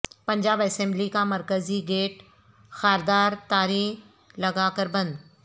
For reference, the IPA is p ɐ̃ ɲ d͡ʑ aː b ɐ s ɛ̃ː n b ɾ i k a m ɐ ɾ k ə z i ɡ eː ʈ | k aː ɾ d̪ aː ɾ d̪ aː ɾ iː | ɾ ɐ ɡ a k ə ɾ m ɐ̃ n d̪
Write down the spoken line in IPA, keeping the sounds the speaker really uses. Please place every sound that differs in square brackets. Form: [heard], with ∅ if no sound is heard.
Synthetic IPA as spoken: p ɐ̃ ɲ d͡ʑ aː b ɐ s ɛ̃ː [m] b [l] i k a m ɐ ɾ k ə z i ɡ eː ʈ | [x] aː ɾ d̪ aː ɾ [t̪] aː ɾ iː | [l] ɐ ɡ a k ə ɾ [b] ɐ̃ n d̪

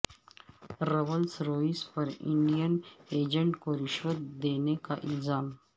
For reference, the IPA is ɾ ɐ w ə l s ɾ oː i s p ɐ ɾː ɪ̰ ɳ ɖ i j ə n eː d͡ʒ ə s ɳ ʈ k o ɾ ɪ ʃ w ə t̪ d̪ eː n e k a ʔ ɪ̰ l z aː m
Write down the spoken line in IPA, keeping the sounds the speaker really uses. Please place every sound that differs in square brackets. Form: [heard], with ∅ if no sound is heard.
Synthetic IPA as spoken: ɾ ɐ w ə l s ɾ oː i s p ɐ [ɾ] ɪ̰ ɳ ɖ i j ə n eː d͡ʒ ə [∅] ɳ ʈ k o ɾ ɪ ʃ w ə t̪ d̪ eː n e k a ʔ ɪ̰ l z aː m

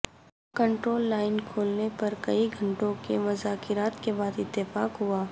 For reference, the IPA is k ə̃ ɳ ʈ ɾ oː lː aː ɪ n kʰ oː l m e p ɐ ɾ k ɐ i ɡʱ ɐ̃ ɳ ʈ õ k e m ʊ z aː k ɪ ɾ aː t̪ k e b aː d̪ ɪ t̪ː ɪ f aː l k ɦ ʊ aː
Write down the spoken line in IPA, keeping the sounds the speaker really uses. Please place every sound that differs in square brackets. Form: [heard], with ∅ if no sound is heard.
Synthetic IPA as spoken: k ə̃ ɳ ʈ ɾ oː lː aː ɪ n kʰ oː l [n] e p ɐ ɾ k ɐ i ɡʱ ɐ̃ ɳ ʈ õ k e m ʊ z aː k ɪ ɾ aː t̪ k e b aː d̪ ɪ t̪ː ɪ f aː [∅] k ɦ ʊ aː

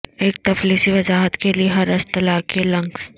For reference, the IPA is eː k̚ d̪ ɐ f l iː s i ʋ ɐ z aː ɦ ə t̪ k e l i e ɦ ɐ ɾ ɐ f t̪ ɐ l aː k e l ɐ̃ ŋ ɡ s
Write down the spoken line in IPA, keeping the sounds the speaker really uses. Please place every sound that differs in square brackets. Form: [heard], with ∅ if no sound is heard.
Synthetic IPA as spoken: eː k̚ [t̪] ɐ f l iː s i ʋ ɐ z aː ɦ ə t̪ k e l i e ɦ ɐ ɾ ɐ [s] t̪ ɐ l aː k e l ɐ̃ ŋ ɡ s

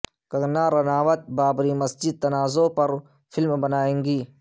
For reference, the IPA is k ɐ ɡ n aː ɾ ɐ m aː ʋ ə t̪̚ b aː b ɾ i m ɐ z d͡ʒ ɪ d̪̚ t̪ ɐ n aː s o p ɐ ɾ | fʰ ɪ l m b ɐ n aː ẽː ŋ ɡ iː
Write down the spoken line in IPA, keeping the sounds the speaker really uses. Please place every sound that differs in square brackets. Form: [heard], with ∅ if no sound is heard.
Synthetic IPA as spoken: k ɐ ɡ n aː ɾ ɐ [n] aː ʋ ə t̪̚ b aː b ɾ i m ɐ [s] d͡ʒ ɪ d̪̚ t̪ ɐ n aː [z] o p ɐ ɾ | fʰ ɪ l m b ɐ n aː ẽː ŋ ɡ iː

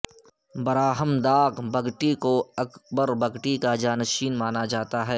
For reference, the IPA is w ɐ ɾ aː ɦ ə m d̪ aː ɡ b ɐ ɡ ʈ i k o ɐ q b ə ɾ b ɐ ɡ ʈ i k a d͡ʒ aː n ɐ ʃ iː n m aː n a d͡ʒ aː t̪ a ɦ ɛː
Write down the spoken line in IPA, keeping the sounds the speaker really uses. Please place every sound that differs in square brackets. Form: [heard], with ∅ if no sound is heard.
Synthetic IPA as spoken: [b] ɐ ɾ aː ɦ ə m d̪ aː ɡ b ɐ ɡ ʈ i k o ɐ [k] b ə ɾ b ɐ ɡ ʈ i k a d͡ʒ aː n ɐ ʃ iː n m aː n a d͡ʒ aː t̪ a ɦ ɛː

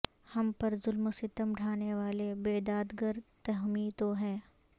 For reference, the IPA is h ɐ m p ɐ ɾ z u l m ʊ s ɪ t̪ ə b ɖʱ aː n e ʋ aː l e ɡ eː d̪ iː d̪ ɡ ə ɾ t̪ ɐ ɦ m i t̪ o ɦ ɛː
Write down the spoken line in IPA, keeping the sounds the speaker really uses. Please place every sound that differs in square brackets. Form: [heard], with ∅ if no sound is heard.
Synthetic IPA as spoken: h ɐ m p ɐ ɾ z [ʊ] l m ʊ s ɪ t̪ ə [m] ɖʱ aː n e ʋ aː l e [b] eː d̪ [aː] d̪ ɡ ə ɾ t̪ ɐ ɦ m i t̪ o ɦ ɛː

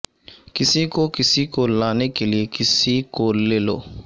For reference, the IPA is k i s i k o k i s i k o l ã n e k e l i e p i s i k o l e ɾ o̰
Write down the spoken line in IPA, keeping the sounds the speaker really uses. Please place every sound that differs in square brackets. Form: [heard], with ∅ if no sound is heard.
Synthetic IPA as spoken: k i s i k o k i s i k o l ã n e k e l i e [k] i s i k o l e [l] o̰

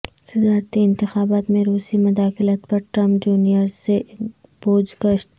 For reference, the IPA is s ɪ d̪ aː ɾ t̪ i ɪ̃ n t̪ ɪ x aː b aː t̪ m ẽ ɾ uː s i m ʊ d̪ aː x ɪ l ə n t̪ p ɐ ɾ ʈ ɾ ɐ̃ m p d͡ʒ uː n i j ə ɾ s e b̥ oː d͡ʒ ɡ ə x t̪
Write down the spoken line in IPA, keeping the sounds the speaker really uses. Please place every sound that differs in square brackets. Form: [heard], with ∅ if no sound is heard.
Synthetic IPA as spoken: s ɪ d̪ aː ɾ t̪ i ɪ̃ n t̪ ɪ x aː b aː t̪ m ẽ ɾ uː s i m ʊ d̪ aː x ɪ l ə [∅] t̪ p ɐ ɾ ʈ ɾ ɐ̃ m p d͡ʒ uː n i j ə ɾ s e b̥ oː d͡ʒ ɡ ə [ʃ] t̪

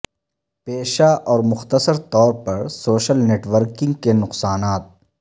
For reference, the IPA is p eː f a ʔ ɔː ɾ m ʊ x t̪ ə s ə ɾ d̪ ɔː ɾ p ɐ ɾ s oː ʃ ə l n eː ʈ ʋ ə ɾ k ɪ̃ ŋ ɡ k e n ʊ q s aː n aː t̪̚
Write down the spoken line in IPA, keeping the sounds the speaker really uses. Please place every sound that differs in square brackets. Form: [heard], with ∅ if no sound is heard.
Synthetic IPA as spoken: p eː [ʃ] a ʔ ɔː ɾ m ʊ x t̪ ə s ə ɾ [t̪] ɔː ɾ p ɐ ɾ s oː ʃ ə l n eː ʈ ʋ ə ɾ k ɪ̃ ŋ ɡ k e n ʊ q s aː n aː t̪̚

